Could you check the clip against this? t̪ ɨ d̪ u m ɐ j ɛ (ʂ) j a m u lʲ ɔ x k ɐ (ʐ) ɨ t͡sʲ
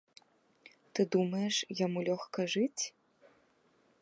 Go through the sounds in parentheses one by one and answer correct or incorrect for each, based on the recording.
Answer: correct, correct

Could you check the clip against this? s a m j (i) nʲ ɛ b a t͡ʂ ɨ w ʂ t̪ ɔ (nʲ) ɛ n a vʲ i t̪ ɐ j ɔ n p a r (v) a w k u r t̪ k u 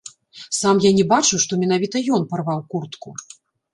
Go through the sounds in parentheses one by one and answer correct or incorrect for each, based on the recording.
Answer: incorrect: a, incorrect: mʲ, correct

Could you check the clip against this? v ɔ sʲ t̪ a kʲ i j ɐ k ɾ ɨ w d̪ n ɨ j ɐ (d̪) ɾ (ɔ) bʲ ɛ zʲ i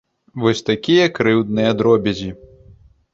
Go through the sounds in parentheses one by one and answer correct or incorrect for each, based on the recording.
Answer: correct, correct

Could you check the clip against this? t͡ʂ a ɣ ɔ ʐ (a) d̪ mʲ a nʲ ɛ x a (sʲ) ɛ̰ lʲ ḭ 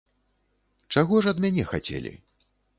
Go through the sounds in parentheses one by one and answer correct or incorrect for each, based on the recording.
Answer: incorrect: ɐ, incorrect: t͡sʲ

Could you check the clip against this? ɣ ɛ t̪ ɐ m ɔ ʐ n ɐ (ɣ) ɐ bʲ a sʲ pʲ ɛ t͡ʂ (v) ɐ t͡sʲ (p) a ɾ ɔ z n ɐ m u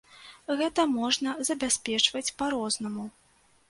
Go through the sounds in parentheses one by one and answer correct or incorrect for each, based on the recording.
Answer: incorrect: z, correct, correct

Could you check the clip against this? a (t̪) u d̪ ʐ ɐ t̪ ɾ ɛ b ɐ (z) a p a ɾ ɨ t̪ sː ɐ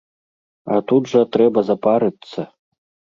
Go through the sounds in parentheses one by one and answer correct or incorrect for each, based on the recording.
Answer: correct, correct

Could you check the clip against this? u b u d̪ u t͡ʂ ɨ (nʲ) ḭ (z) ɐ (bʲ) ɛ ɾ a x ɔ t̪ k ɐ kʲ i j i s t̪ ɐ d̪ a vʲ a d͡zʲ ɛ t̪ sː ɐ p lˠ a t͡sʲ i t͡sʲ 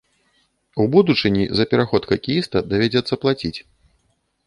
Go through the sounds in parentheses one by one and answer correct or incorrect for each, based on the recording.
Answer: correct, correct, incorrect: pʲ

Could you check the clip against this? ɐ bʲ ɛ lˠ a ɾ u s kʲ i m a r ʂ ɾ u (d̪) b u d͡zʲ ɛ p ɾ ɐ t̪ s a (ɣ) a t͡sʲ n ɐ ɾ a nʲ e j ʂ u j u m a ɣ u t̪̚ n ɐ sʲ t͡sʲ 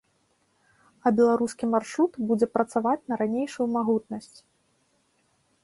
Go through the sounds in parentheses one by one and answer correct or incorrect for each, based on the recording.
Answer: incorrect: t̪, incorrect: v

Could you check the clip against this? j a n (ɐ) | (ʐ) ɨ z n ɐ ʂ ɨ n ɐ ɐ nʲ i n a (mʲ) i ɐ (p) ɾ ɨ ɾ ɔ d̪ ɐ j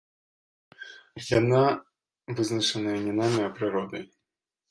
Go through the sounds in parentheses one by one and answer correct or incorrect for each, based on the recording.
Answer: incorrect: a, incorrect: v, correct, correct

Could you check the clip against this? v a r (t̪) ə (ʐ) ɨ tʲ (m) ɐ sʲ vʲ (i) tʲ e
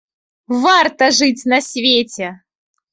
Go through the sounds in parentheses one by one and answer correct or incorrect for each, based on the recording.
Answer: correct, correct, incorrect: n, incorrect: e

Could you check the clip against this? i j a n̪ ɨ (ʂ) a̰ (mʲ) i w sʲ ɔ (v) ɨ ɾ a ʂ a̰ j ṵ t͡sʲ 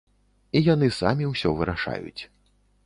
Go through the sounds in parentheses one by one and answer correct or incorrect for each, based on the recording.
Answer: incorrect: s, correct, correct

